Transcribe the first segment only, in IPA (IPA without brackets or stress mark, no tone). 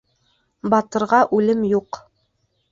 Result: b